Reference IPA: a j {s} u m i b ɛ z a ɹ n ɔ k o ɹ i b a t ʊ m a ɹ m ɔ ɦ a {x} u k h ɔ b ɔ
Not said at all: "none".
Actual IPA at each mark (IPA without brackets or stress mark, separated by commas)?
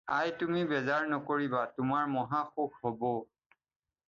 t, x